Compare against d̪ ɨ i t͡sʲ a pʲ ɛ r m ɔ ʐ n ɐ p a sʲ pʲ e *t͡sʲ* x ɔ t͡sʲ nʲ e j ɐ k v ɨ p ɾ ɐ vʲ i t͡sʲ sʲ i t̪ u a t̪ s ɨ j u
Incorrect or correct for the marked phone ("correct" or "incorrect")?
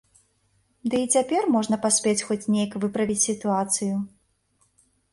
correct